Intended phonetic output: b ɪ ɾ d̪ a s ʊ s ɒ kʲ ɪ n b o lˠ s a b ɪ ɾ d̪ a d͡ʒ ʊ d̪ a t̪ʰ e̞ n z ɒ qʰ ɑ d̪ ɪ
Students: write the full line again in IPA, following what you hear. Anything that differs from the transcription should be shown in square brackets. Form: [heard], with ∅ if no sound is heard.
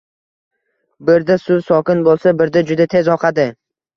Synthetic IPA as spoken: b ɪ ɾ d̪ a s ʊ s ɒ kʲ ɪ n b o lˠ s a b ɪ ɾ d̪ a d͡ʒ ʊ d̪ a t̪ʰ e̞ [∅] z ɒ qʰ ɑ d̪ ɪ